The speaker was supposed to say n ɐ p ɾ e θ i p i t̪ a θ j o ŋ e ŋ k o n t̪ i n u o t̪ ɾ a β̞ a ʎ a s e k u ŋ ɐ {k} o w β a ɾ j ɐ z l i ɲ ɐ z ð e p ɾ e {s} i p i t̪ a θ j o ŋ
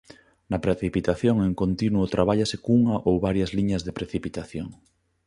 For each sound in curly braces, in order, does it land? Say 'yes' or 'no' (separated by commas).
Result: no, no